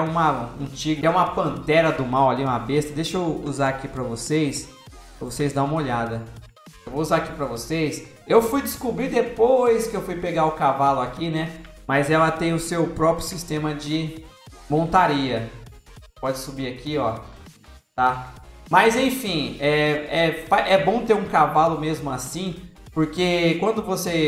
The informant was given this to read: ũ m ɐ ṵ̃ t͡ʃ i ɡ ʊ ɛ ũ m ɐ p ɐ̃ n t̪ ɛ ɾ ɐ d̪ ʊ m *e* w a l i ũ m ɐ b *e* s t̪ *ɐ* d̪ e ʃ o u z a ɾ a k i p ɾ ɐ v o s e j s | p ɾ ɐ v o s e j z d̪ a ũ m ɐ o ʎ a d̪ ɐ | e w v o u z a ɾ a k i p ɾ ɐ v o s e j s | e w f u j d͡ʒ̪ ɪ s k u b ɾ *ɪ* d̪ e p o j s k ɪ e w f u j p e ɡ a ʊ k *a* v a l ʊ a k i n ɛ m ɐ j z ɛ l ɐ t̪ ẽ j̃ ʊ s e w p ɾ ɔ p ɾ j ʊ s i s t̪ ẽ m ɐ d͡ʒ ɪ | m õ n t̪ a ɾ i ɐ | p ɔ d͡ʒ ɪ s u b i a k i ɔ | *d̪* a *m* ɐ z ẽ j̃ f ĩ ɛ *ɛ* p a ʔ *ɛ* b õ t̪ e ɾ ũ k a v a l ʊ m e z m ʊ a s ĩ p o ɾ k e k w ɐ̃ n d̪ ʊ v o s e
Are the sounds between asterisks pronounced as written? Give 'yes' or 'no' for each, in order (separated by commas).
no, yes, yes, no, yes, no, yes, yes, yes